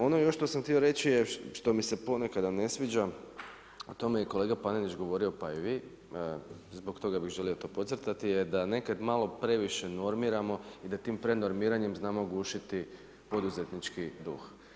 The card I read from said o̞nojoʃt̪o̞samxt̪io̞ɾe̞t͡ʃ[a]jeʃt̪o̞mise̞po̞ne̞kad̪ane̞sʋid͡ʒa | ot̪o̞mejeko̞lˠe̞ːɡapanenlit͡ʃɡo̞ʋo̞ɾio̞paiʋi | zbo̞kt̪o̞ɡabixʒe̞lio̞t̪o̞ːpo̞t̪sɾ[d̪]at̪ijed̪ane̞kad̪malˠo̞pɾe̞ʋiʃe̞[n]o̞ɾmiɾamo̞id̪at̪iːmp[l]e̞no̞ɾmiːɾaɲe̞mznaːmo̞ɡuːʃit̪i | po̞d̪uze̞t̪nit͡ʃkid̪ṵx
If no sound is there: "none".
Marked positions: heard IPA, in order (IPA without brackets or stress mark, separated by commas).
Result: i, t̪, n, ɾ